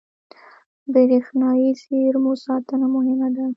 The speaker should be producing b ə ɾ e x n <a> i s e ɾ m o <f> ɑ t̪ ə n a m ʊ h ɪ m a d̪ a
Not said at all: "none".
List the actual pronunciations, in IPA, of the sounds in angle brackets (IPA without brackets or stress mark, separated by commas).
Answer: ɑ, s